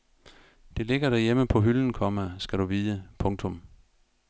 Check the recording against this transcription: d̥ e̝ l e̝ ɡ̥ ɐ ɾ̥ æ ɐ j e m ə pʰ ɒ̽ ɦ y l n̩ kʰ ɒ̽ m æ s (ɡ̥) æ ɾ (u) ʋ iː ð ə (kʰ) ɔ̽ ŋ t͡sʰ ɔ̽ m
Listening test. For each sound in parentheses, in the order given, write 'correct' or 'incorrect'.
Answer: correct, correct, incorrect

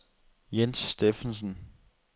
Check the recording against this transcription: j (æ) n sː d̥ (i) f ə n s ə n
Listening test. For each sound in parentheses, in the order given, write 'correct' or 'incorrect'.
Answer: incorrect, incorrect

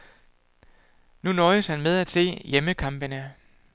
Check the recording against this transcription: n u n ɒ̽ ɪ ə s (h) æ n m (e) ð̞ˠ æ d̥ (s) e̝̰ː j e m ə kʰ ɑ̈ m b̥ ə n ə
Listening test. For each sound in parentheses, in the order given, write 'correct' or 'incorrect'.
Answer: correct, correct, correct

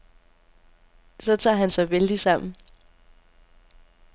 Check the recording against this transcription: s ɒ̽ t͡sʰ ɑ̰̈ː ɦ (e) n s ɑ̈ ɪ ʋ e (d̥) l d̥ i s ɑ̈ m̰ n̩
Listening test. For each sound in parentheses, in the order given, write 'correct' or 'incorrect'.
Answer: incorrect, incorrect

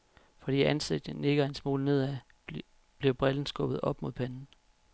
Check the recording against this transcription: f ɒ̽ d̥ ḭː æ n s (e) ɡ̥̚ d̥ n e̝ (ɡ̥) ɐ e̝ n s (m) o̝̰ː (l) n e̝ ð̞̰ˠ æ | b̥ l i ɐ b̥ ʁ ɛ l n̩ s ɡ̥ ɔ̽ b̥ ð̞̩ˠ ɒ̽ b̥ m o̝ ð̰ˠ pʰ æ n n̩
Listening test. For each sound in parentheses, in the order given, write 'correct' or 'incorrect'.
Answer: correct, correct, correct, correct

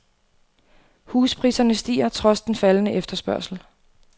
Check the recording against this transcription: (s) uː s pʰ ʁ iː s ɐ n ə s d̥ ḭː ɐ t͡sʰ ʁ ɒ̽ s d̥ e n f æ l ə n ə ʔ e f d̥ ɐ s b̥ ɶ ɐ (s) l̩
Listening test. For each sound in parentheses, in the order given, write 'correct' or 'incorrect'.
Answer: incorrect, correct

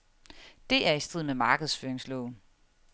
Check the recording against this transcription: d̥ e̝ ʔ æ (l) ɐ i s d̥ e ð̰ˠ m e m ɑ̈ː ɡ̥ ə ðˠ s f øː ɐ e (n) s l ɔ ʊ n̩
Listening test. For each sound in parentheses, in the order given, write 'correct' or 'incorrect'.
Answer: incorrect, incorrect

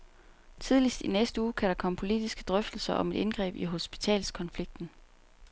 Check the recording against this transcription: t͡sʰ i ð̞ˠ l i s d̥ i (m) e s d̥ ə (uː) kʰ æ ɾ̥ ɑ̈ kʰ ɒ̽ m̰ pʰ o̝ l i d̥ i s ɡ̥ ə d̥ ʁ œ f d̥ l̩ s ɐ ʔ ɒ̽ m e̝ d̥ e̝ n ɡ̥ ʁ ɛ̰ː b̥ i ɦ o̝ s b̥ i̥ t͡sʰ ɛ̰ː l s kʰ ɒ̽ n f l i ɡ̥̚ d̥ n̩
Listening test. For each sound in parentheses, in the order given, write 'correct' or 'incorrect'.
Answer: incorrect, correct

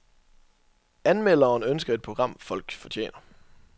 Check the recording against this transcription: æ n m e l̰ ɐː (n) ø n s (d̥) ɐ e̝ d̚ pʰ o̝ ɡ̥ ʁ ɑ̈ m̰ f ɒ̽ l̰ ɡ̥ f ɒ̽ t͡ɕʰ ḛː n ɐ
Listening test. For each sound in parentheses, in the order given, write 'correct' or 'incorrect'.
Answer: correct, incorrect

